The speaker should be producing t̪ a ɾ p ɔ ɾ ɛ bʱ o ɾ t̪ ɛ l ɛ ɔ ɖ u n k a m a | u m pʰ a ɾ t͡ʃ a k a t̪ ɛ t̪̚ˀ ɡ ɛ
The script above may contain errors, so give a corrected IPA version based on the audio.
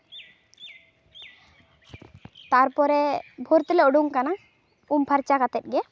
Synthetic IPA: t̪ a ɾ p ɔ ɾ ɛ bʱ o ɾ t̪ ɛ l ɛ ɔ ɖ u ŋ k a n a | u m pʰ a ɾ t͡ʃ a k a t̪ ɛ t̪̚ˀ ɡ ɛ